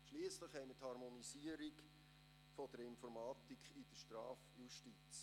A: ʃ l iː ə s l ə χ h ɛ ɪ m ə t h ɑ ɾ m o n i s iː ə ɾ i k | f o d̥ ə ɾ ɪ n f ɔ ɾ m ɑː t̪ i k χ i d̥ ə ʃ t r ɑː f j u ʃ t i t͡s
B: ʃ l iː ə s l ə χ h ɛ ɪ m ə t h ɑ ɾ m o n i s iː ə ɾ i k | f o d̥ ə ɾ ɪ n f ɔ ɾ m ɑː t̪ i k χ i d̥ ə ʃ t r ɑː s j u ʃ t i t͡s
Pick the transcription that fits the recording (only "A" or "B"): A